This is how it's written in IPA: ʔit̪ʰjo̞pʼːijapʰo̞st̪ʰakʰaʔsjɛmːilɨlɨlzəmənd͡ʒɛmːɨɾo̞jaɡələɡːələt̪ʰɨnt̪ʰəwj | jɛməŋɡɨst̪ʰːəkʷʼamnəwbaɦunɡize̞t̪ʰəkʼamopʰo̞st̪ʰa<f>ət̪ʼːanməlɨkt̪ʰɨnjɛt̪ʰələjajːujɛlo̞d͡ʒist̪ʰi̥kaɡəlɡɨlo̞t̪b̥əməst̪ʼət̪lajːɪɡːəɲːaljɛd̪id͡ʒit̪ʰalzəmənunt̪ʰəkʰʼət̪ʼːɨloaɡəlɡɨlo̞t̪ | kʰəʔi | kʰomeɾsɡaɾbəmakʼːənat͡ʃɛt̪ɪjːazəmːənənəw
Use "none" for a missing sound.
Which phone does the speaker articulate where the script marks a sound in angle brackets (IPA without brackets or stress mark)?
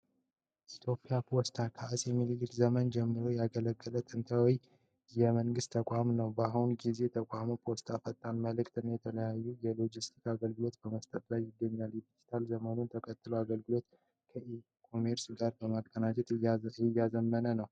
f